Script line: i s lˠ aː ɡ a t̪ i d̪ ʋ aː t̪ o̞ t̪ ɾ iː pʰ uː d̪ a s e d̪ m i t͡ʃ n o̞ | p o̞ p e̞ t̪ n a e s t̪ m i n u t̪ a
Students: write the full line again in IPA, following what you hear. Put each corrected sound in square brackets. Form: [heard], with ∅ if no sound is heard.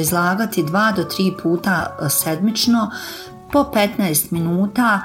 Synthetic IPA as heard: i [z] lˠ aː ɡ a t̪ i d̪ ʋ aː [d̪] o̞ t̪ ɾ iː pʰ uː [t̪] a s e d̪ m i t͡ʃ n o̞ | p o̞ p e̞ t̪ n a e s t̪ m i n [uː] t̪ a